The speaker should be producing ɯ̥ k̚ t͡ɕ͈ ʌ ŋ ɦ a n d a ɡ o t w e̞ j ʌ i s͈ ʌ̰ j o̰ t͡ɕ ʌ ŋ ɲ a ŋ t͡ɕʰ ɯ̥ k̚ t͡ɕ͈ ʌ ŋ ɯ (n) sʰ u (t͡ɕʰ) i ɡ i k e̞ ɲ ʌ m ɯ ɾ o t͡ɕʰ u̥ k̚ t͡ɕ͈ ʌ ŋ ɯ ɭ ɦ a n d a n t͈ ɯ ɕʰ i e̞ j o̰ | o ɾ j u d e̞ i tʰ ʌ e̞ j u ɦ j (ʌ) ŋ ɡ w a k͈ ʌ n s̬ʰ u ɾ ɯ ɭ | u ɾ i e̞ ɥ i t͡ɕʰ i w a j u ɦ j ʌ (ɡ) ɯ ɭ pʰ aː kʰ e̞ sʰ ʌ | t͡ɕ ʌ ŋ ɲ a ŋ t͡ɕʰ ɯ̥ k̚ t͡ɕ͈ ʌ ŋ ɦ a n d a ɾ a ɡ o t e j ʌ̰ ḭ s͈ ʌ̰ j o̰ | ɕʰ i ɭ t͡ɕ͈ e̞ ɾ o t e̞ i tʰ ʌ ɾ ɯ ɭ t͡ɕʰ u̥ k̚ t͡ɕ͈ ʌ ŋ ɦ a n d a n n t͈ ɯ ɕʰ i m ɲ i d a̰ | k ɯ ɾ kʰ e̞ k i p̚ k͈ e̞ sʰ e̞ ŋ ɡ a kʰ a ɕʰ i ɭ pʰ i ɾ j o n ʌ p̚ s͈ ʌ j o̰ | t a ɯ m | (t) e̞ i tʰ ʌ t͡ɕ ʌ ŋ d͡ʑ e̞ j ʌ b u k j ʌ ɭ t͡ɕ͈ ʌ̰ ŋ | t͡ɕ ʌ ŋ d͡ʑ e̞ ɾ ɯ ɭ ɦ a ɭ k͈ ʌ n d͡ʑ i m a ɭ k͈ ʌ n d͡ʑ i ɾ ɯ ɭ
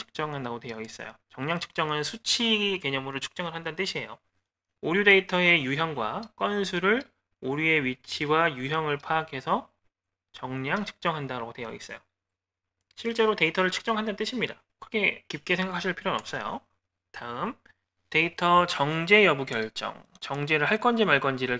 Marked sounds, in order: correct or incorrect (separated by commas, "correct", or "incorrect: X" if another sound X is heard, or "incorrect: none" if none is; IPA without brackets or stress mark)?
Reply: correct, correct, correct, incorrect: ŋ, correct